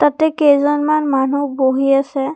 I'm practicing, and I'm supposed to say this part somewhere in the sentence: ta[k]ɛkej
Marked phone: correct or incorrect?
incorrect